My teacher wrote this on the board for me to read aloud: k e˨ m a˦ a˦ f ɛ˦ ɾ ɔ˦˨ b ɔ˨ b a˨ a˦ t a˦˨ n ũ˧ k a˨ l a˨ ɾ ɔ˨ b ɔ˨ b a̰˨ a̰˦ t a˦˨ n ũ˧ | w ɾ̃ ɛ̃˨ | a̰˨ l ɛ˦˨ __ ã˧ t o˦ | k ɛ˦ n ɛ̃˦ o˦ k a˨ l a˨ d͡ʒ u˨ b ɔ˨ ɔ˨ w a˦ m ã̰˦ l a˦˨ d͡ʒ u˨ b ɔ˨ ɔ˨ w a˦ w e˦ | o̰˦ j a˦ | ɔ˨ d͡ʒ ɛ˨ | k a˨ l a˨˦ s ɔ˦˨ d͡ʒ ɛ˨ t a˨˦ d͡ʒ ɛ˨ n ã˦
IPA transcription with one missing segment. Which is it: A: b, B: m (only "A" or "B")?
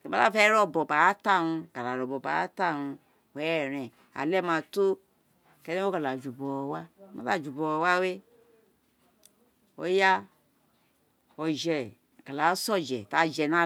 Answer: B